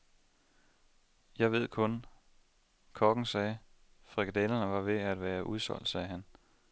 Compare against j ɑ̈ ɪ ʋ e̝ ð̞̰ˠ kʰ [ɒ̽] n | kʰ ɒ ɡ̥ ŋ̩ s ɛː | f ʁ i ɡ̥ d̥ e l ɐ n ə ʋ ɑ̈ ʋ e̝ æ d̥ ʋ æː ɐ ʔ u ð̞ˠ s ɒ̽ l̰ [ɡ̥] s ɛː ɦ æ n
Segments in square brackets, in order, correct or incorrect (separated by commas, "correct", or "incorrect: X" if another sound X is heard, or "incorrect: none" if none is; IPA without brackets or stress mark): incorrect: ɔ̽, incorrect: d̥